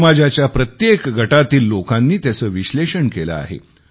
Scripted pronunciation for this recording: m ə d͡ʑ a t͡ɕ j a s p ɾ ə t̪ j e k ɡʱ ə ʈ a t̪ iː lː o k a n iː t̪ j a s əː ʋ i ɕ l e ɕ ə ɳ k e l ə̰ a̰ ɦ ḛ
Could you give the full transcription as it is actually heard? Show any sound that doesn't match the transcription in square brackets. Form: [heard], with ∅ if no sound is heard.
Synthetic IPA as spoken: m [a] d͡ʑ a t͡ɕ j a [∅] p ɾ ə t̪ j e k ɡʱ ə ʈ a t̪ iː lː o k a [nː] iː t̪ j a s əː ʋ i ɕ l e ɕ ə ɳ k e l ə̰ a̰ ɦ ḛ